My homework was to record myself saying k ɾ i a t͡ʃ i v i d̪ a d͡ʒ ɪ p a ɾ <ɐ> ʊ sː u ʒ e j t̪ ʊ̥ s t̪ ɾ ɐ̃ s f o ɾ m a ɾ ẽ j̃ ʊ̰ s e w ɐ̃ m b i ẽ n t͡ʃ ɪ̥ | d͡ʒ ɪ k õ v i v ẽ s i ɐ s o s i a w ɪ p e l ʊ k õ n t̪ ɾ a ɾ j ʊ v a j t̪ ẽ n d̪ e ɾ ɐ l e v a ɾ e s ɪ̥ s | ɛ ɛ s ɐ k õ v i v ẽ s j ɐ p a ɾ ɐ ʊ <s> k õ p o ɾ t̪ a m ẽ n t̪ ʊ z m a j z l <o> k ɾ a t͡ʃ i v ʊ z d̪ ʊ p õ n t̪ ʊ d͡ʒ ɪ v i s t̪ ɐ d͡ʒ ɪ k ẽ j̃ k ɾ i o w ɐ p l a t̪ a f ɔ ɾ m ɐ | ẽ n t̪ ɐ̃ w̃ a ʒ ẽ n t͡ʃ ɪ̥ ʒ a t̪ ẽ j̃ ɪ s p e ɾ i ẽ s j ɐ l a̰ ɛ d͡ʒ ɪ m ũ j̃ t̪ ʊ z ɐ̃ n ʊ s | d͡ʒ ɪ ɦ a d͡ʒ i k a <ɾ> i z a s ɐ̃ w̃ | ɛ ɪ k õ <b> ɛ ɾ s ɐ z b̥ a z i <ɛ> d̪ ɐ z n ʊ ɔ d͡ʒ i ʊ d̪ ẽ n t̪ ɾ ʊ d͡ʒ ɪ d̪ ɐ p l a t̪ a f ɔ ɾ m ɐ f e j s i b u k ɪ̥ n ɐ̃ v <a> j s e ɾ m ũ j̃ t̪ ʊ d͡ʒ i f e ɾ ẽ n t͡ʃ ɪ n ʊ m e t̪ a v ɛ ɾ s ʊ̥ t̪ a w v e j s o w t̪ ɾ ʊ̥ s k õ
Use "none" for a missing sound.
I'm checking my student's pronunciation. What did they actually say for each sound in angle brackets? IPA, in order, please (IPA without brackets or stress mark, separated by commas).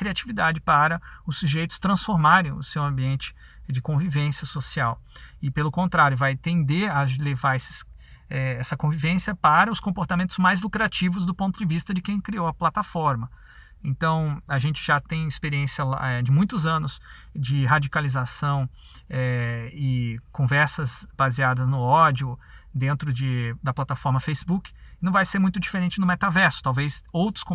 ɐ, s, u, l, v, a, a